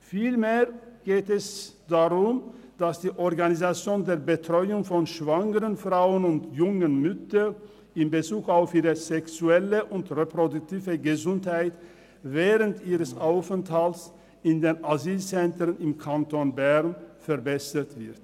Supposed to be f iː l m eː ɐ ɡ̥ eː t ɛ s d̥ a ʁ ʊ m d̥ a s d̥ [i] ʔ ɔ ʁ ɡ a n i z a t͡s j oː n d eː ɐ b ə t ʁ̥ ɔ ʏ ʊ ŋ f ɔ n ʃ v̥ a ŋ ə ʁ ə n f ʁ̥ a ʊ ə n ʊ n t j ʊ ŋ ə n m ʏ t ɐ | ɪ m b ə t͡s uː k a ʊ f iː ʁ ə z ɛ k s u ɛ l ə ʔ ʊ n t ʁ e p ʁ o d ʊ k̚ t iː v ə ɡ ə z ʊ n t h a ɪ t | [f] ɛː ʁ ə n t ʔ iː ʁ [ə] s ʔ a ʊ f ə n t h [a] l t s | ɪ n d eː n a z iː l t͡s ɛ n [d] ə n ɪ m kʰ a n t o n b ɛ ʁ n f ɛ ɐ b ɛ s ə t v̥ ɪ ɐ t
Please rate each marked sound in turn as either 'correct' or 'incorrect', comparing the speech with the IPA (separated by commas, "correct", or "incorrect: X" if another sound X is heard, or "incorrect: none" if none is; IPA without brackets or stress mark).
incorrect: iː, incorrect: v, correct, correct, incorrect: t